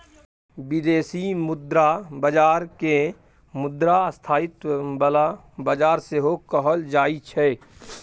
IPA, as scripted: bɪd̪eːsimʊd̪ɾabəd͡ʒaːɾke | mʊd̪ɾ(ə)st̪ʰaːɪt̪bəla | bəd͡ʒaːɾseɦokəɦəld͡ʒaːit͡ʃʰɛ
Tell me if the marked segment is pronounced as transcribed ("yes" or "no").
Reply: no